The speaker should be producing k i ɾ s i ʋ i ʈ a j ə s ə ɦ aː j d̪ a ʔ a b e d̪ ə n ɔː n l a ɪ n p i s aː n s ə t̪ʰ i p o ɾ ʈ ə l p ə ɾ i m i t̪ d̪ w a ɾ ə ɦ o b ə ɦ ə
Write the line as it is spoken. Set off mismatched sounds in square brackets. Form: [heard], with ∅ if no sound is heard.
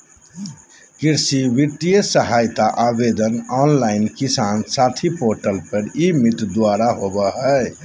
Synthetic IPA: k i ɾ s i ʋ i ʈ [i] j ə s ə ɦ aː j [t̪] a ʔ a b e d̪ ə n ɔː n l a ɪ n [k] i s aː n s [a] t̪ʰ i p o ɾ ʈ ə l p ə ɾ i m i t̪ d̪ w a ɾ [a] ɦ o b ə ɦ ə